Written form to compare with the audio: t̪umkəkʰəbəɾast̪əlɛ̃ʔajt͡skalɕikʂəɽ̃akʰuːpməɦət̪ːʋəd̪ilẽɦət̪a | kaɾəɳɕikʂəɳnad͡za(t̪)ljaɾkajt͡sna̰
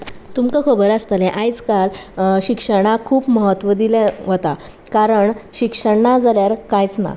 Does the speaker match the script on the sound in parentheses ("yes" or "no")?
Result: no